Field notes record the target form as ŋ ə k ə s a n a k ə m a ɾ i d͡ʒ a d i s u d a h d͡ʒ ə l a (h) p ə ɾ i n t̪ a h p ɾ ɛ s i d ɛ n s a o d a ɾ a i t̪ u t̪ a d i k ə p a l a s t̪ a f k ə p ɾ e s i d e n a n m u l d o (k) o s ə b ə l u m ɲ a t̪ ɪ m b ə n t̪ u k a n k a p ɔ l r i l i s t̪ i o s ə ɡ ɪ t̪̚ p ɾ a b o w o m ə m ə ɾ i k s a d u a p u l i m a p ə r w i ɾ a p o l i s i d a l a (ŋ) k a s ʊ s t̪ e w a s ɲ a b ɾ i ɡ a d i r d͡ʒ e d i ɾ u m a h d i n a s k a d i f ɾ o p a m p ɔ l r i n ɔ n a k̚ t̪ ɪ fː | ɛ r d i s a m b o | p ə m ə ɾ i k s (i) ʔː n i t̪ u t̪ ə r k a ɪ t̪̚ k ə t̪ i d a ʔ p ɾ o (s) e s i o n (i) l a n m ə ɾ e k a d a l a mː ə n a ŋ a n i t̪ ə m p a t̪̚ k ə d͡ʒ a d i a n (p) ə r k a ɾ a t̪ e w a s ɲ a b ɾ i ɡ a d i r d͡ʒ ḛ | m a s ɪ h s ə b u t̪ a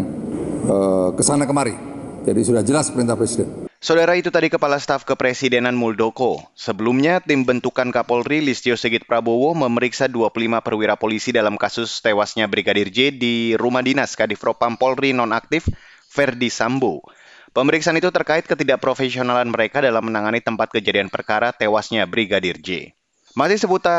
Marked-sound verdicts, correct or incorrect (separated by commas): incorrect, correct, incorrect, incorrect, incorrect, incorrect, correct